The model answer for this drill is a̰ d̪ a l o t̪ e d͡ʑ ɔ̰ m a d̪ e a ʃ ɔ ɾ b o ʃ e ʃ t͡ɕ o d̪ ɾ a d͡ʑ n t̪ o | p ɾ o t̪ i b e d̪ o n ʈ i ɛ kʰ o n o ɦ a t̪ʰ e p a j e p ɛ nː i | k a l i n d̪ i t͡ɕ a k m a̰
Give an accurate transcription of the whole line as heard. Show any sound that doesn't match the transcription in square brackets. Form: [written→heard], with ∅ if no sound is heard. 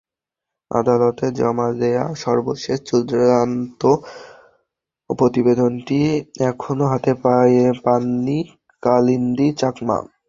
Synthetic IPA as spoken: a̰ d̪ a l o t̪ e d͡ʑ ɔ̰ m a d̪ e a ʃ ɔ ɾ b o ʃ e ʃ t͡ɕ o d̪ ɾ a [d͡ʑ→∅] n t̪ o | p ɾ o t̪ i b e d̪ o n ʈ i ɛ kʰ o n o ɦ a [t̪ʰ→t̪] e p a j e p [ɛ→a] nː i | k a l i n d̪ i t͡ɕ a k m a̰